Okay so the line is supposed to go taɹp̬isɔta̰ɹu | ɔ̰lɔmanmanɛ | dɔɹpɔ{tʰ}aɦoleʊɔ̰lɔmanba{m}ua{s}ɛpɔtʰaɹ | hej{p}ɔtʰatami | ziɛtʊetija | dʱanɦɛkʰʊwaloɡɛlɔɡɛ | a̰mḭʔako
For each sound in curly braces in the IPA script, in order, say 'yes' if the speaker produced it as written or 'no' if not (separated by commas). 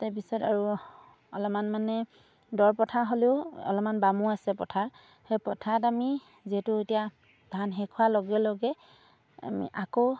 yes, yes, yes, yes